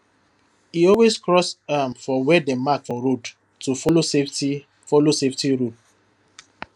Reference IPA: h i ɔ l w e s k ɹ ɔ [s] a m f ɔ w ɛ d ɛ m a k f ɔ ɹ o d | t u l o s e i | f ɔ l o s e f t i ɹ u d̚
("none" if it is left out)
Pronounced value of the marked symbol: s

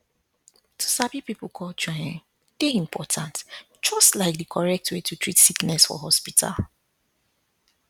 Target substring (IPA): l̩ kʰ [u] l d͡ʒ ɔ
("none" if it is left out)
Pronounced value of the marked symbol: ɔ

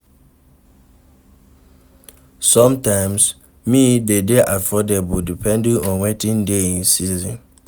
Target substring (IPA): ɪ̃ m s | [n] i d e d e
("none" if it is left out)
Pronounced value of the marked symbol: m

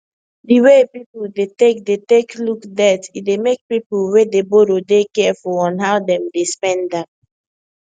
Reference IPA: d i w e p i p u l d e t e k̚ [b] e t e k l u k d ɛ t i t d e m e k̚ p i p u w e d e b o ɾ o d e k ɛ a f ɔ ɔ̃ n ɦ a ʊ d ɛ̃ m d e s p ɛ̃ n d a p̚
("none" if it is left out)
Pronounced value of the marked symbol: d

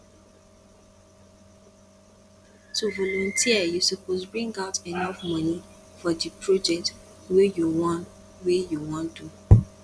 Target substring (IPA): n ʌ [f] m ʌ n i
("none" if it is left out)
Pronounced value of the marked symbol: f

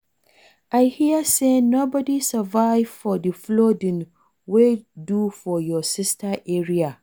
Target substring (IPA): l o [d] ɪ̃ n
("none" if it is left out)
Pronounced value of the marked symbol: d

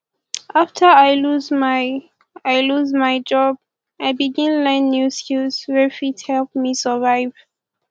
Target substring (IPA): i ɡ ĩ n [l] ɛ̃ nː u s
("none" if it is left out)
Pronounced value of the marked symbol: l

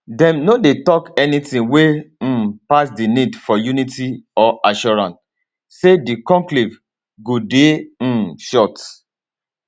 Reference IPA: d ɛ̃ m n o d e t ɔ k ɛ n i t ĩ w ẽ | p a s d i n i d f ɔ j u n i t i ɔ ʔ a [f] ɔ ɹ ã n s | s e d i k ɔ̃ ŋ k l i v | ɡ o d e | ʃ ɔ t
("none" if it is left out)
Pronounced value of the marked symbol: ʃ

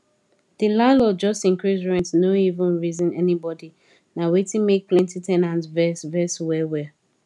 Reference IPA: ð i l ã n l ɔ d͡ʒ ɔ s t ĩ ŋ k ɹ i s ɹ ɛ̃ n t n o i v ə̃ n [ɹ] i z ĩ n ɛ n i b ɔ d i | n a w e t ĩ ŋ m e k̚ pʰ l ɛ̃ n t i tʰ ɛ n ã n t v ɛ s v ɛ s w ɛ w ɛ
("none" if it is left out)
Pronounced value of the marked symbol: ɹ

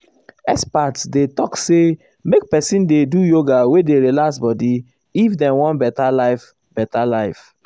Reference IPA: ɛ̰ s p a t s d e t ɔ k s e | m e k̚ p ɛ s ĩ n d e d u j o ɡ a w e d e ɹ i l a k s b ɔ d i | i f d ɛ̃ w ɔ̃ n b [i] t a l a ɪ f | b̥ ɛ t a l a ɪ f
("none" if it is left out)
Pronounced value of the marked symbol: ɛ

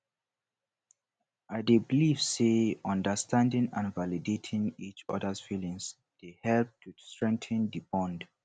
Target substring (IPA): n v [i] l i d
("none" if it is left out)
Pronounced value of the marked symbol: a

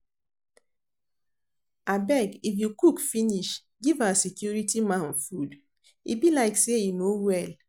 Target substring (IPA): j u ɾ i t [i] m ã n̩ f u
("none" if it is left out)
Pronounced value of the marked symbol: i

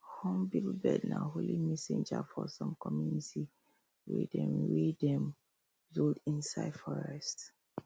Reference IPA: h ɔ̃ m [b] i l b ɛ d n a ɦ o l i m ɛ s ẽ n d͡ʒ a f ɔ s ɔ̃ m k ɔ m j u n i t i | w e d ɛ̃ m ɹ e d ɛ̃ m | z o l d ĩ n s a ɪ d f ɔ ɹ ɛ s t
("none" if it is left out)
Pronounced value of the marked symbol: b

